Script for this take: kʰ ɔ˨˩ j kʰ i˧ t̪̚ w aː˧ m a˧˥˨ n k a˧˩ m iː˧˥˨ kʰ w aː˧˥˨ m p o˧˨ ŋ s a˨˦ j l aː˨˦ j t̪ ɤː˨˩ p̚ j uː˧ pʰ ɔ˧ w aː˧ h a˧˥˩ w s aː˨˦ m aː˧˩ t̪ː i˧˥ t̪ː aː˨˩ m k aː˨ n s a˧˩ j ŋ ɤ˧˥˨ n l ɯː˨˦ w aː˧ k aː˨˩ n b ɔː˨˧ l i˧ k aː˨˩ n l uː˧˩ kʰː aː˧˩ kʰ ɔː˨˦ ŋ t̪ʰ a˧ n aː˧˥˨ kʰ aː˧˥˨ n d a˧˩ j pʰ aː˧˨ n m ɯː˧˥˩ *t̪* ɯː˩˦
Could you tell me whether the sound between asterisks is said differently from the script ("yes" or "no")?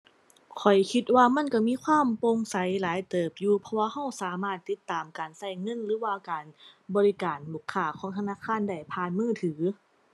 yes